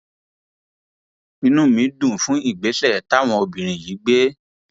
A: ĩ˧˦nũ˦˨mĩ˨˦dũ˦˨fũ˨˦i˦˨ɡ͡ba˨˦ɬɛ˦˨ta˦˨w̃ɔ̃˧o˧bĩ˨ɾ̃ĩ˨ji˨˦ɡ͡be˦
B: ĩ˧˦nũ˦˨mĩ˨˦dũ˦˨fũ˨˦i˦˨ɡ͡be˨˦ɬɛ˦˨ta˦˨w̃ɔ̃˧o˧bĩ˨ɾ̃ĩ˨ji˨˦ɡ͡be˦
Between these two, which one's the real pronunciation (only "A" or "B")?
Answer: B